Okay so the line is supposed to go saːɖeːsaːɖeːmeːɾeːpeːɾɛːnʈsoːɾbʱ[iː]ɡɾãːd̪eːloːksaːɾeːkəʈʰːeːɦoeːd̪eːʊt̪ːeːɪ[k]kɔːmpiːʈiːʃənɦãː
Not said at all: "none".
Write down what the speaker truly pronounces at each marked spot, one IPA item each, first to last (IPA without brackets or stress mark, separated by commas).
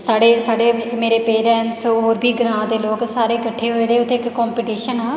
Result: iː, k